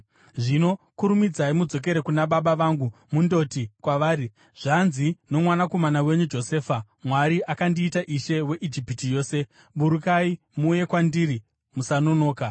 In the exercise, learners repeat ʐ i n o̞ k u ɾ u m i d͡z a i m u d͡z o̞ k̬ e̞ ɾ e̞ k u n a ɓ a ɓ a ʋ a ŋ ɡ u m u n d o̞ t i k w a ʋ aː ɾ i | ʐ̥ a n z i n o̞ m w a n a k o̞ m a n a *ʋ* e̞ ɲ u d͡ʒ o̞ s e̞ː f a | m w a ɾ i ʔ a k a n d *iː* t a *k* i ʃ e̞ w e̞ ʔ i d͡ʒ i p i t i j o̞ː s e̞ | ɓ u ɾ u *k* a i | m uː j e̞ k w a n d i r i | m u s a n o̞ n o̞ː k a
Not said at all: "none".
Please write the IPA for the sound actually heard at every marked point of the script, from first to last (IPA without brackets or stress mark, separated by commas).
w, iː, ʔ, k